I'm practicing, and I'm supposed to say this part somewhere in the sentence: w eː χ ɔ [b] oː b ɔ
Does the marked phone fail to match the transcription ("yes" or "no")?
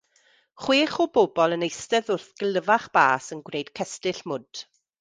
no